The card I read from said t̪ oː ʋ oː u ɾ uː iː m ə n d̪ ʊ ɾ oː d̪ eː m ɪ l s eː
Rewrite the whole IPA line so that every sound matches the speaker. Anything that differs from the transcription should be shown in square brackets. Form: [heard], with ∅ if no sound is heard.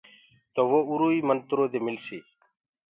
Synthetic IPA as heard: t̪ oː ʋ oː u ɾ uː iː m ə n [t̪] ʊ ɾ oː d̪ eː m ɪ l s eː